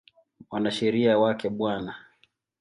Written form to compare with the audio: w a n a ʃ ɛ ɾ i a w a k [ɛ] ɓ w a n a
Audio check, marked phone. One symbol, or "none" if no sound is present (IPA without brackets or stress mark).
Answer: ɛ